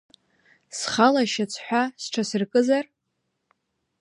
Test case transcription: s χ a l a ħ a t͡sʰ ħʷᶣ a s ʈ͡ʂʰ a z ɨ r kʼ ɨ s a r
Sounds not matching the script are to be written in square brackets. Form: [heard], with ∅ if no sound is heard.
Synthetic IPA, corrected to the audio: s χ a l a [ʃ] a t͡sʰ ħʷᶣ a s ʈ͡ʂʰ a [s] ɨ r kʼ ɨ [z] a r